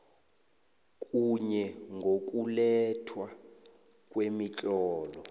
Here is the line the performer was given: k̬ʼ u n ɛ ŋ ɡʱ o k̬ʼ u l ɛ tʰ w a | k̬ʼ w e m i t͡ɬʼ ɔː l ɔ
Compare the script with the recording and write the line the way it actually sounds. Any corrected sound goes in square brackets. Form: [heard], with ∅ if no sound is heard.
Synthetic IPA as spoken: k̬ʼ u [ɲ] ɛ ŋ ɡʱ o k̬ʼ u l ɛ tʰ w a | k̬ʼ w e m i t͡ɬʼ ɔː l ɔ